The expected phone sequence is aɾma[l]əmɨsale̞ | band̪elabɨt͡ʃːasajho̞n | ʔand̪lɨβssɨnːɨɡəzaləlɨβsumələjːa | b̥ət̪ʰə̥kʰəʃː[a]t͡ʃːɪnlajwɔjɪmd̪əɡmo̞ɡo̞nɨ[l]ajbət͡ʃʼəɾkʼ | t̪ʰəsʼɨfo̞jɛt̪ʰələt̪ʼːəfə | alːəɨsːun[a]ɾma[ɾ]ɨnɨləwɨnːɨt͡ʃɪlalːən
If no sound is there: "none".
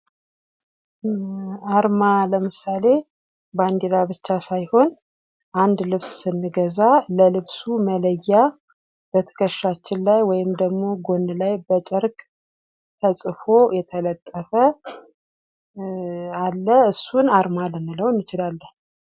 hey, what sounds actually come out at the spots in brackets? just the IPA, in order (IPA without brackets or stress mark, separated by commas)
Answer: l, a, l, a, l